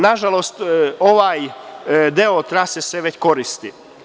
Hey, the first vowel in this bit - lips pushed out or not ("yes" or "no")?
no